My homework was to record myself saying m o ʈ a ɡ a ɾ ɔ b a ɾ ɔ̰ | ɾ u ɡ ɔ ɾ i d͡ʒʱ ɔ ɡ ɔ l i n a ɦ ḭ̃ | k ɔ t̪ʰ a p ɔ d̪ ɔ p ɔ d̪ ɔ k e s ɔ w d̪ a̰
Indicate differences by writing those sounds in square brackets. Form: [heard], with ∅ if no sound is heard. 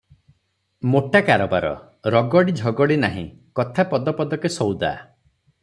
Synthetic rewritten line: m o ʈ a [k] a ɾ ɔ b a ɾ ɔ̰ | ɾ [ɔ] ɡ ɔ [ɽ] i d͡ʒʱ ɔ ɡ ɔ [ɽ] i n a ɦ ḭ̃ | k ɔ t̪ʰ a p ɔ d̪ ɔ p ɔ d̪ ɔ k e s ɔ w d̪ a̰